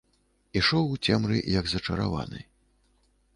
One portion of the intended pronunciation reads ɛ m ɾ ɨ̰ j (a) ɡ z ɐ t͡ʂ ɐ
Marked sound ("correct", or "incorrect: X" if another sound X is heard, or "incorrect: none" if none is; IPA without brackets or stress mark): incorrect: ɐ